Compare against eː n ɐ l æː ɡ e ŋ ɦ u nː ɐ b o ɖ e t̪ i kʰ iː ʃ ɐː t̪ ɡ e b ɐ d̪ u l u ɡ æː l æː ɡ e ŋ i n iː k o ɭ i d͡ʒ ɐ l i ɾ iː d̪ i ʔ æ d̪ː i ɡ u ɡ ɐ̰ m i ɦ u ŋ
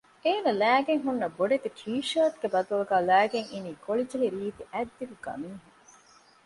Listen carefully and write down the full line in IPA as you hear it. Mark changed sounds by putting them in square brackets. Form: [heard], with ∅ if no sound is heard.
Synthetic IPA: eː n ɐ l æː ɡ e ŋ ɦ u nː ɐ b o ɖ e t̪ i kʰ iː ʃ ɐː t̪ ɡ e b ɐ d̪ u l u ɡ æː l æː ɡ e ŋ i n iː k o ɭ i d͡ʒ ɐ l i ɾ iː [t̪] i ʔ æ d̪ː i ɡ u ɡ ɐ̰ m [iː] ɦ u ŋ